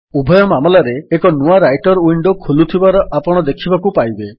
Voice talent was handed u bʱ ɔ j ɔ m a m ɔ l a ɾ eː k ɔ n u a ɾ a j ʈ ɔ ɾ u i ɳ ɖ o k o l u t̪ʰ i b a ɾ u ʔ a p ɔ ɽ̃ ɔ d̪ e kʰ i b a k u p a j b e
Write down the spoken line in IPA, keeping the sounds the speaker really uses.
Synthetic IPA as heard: u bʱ ɔ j ɔ m a m ɔ l a ɾ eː k ɔ n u a ɾ a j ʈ ɔ ɾ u i ɳ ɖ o kʰ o l u t̪ʰ i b a ɾ ɔ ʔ a p ɔ ɽ̃ ɔ d̪ e kʰ i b a k u p a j b e